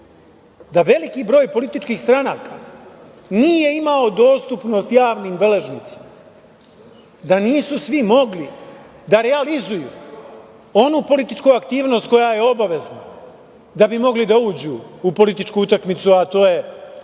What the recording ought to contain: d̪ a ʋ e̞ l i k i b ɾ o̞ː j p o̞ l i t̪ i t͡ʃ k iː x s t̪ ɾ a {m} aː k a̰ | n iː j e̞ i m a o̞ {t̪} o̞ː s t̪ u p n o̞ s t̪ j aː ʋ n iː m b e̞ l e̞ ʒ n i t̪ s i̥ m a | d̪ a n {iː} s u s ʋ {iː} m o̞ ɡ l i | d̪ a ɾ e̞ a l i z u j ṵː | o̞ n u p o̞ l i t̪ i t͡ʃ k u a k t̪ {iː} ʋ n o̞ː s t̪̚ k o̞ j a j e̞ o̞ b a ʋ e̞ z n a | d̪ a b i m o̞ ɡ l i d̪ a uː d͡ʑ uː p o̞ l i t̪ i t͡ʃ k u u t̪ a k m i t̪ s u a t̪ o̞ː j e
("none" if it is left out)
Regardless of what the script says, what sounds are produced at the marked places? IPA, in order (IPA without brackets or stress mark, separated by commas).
n, d̪, iː, i, iː